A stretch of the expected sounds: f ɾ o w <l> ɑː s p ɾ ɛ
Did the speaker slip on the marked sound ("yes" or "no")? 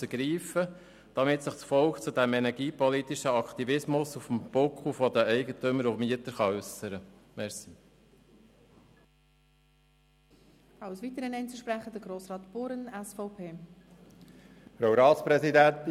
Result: yes